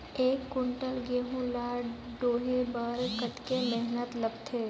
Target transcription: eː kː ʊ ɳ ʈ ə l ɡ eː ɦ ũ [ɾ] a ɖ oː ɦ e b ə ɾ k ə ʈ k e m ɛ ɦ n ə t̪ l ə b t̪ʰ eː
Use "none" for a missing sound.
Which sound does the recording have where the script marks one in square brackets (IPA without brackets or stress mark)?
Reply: l